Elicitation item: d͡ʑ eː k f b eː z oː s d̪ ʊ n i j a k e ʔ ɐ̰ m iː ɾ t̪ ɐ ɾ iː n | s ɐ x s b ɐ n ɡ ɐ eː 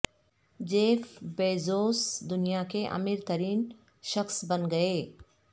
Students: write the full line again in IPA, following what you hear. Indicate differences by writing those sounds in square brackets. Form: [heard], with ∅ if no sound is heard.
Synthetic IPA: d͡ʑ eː [∅] f b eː z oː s d̪ ʊ n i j a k e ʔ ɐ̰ m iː ɾ t̪ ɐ ɾ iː n | [ʃ] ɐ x s b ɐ n ɡ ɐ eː